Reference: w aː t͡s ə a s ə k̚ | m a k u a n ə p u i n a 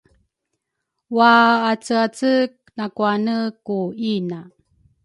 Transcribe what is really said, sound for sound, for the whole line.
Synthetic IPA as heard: w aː t͡s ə a t͡s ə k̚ | n a k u a n ə k u i n a